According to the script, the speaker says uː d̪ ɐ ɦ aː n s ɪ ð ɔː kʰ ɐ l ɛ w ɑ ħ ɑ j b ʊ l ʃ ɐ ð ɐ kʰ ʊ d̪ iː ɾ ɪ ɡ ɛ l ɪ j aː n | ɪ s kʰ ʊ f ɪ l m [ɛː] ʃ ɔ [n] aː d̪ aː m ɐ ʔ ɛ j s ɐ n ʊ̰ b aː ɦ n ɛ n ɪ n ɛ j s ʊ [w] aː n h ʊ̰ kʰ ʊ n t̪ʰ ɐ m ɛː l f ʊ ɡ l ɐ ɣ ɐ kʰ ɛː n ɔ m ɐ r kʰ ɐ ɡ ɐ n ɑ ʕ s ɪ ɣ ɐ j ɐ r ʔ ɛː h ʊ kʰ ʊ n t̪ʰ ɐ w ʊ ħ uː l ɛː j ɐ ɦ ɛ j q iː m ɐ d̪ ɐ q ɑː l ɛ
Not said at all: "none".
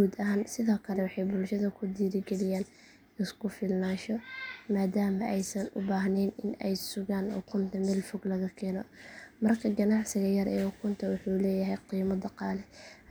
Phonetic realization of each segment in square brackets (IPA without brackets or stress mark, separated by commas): aː, m, ɣ